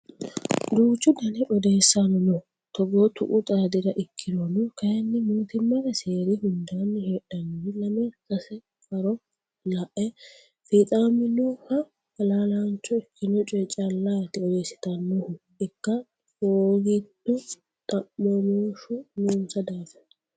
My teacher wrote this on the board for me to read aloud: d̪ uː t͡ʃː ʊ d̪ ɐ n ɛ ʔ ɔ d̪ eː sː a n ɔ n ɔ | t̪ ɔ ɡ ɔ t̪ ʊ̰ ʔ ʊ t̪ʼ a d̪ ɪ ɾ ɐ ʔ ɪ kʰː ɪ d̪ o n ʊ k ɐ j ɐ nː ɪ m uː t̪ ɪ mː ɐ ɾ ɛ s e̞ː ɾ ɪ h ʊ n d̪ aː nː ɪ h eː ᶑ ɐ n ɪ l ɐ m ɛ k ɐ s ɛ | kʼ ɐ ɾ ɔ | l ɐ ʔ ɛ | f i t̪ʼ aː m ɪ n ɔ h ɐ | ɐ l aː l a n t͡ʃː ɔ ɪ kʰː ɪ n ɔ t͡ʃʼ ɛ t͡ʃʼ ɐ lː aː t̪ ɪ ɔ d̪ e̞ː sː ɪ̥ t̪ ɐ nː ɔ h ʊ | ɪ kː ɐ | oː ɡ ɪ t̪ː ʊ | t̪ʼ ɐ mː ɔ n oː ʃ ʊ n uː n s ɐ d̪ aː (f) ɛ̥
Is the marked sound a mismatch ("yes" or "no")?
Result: no